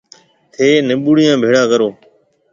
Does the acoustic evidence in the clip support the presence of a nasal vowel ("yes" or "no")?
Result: yes